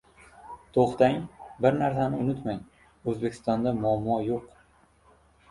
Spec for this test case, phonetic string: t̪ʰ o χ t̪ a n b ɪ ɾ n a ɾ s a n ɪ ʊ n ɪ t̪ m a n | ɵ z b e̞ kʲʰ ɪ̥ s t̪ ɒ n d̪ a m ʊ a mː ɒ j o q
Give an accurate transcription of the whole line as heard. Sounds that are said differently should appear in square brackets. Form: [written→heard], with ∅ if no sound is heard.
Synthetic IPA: t̪ʰ o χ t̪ a [n→ŋ] b ɪ ɾ n a ɾ s a n ɪ ʊ n ɪ t̪ m a [n→ŋ] | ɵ z b e̞ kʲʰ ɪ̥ s t̪ ɒ n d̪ a m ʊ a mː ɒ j o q